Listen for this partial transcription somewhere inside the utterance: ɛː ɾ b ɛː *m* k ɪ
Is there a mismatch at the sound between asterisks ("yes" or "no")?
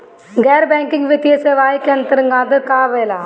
yes